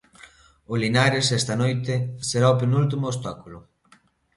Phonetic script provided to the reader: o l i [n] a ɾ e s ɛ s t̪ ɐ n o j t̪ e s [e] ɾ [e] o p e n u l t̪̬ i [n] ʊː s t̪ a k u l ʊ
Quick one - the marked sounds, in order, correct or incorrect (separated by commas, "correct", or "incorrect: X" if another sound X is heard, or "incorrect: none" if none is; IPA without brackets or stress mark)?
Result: correct, correct, incorrect: a, incorrect: m